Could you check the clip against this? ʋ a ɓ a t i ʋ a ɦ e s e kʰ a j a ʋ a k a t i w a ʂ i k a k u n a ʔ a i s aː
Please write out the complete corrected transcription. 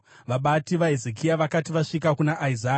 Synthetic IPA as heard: ʋ a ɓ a t i ʋ a ɦ e z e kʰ i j a ʋ a k a t i ʋ a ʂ i k a k u n a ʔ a i z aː